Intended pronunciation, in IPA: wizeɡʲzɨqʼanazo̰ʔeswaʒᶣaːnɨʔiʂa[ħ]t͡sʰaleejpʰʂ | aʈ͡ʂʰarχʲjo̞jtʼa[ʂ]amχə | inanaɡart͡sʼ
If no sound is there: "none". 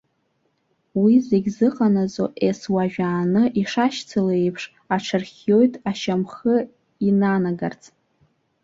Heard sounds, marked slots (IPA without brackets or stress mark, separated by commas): ʃ, ʃ